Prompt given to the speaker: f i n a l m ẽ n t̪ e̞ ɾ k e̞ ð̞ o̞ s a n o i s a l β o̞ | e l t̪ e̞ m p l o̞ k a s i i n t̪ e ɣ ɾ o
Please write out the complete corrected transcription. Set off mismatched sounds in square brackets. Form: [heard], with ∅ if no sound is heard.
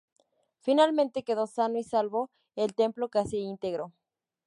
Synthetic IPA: f i n a l m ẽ n t̪ e̞ [∅] k e̞ ð̞ o̞ s a n o i s a l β o̞ | e l t̪ e̞ m p l o̞ k a s i i n t̪ e ɣ ɾ o